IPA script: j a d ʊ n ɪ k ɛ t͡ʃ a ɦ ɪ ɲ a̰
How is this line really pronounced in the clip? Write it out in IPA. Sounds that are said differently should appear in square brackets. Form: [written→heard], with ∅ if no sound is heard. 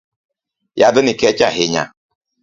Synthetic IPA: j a d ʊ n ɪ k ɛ t͡ʃ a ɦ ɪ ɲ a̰

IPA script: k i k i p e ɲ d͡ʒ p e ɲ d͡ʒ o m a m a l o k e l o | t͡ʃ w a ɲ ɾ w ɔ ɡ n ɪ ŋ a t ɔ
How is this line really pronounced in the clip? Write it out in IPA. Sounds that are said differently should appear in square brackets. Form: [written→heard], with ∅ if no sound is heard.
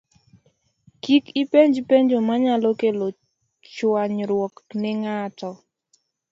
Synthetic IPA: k i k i p e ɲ d͡ʒ p e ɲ d͡ʒ o m a [m→ɲ] a l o k e l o | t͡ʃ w a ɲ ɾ w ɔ [ɡ→k] n ɪ ŋ a t ɔ

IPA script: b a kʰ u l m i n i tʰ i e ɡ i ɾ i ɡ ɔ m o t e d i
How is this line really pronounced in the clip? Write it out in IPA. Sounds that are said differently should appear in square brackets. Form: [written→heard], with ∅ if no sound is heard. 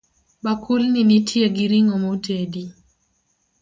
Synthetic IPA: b a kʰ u l [m→n] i n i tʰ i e ɡ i ɾ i [ɡ→ŋ] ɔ m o t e d i

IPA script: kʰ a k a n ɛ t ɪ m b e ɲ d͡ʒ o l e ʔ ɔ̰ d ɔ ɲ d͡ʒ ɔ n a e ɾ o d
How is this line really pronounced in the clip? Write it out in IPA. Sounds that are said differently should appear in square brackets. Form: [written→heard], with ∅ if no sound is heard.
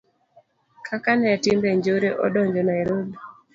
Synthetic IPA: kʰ a k a n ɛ t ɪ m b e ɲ d͡ʒ o [l→ɾ] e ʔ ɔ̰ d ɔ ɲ d͡ʒ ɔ n a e ɾ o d

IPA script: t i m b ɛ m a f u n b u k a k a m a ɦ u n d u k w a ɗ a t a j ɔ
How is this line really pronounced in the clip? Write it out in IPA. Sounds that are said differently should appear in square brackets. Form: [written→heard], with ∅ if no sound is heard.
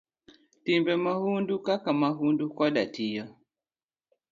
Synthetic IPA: t i m b ɛ m a [f→h] u n [b→d] u k a k a m a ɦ u n d u k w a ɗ a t [a→i] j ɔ

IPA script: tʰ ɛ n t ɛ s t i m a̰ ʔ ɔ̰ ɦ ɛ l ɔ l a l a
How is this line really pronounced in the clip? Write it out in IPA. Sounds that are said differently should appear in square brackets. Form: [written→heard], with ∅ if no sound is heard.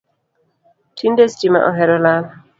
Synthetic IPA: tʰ [ɛ→i] n [t→d] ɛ s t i m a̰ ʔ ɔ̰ ɦ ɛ [l→ɾ] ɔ l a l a

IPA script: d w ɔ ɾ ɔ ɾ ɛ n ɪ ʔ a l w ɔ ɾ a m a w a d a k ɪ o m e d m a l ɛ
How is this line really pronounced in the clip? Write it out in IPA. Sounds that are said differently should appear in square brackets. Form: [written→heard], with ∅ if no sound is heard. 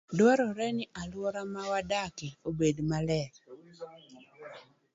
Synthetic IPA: d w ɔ ɾ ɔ ɾ ɛ n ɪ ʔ a l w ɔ ɾ a m a w a d a k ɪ o [m→b] e d m a l ɛ

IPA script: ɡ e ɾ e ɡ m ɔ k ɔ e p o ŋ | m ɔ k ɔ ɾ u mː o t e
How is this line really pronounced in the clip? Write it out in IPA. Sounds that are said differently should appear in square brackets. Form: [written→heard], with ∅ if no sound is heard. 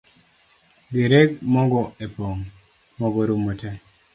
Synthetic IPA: ɡ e ɾ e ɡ m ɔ [k→ɡ] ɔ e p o ŋ | m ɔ [k→ɡ] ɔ ɾ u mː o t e

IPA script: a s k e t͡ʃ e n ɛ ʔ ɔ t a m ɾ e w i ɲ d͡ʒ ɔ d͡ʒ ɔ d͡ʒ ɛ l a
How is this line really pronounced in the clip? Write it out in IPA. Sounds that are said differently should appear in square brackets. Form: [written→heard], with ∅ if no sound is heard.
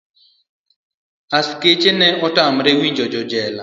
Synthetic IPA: a s k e t͡ʃ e n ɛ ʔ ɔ t a m ɾ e w i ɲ d͡ʒ ɔ d͡ʒ ɔ d͡ʒ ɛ l a

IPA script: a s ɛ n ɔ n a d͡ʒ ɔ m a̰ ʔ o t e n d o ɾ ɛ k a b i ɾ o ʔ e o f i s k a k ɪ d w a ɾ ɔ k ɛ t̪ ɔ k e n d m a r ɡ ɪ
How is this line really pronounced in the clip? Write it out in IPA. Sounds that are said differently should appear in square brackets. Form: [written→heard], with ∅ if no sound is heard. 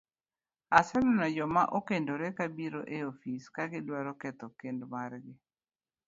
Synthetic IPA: a s ɛ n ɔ n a d͡ʒ ɔ m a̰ ʔ o [t→k] e n d o ɾ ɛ k a b i ɾ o ʔ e o f i s k a [k→ɡ] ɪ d w a ɾ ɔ k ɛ t̪ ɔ k e n d m a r ɡ ɪ

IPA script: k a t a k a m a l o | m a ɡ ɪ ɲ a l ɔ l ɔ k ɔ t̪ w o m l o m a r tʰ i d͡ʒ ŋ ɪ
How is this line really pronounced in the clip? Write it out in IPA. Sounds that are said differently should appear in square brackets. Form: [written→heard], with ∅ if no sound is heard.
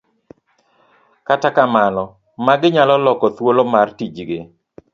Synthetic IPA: k a t a k a m a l [o→ɔ] | m a ɡ ɪ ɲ a l ɔ l ɔ k ɔ t̪ w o [m→∅] l o m a r [tʰ→t] i d͡ʒ [ŋ→ɡ] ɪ

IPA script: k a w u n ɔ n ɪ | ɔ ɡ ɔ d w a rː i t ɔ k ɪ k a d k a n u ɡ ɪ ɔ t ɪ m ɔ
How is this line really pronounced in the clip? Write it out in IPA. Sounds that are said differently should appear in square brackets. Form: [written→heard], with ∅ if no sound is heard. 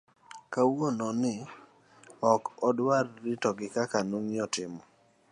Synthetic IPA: k a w [u→o] n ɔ n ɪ | ɔ [ɡ→k] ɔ d w a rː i t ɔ [k→ɡ] ɪ k a [d→∅] k a n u [ɡ→ŋ] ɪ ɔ t ɪ m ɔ

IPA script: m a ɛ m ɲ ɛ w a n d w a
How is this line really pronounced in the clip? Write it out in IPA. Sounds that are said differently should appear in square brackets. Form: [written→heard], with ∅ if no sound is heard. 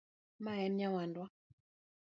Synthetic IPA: m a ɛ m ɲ [ɛ→a] w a n d w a

